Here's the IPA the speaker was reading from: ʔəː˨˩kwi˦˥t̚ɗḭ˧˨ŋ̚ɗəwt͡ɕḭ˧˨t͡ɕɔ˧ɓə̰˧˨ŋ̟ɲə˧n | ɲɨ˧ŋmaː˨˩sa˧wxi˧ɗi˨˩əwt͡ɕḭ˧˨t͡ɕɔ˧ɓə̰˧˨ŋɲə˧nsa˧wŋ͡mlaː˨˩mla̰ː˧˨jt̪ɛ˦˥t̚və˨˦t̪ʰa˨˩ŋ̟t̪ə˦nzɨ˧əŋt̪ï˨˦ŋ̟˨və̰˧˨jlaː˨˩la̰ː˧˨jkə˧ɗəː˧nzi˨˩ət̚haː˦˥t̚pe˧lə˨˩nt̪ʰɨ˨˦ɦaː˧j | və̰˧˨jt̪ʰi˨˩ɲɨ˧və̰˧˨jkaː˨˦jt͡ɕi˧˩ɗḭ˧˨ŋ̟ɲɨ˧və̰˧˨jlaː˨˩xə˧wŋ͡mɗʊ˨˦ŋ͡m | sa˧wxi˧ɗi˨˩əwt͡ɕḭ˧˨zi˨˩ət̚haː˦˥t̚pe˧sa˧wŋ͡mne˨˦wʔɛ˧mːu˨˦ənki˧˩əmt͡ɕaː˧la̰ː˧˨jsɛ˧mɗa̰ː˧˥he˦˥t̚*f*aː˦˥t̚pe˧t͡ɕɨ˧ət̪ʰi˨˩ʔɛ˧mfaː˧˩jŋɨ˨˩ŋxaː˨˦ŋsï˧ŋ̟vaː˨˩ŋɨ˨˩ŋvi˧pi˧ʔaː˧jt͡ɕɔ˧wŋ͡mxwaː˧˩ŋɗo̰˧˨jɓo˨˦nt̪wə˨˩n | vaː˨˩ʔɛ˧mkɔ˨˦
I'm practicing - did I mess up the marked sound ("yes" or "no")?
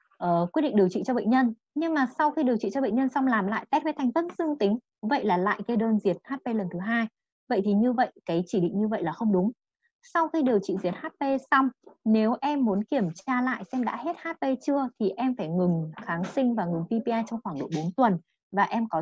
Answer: yes